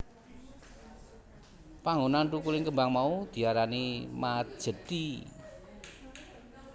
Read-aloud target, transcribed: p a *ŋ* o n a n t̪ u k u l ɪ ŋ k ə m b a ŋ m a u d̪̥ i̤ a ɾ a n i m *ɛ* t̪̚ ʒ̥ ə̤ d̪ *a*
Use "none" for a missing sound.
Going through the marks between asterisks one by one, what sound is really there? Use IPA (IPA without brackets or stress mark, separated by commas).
ŋ, a, i